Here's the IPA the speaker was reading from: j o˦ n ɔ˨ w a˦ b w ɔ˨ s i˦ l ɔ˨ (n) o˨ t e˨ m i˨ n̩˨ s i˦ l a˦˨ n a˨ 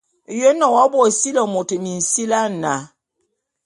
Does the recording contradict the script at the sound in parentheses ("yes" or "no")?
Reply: yes